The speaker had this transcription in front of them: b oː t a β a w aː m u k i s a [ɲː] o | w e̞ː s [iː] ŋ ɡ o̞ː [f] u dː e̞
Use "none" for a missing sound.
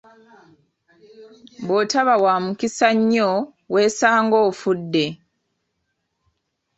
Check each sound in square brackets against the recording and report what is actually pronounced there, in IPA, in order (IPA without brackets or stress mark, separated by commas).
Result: ɲː, aː, f